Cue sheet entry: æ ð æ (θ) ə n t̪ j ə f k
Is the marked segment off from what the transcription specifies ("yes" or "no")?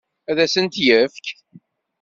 yes